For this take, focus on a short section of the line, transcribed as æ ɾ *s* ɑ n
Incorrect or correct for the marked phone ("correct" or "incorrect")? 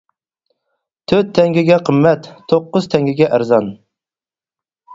incorrect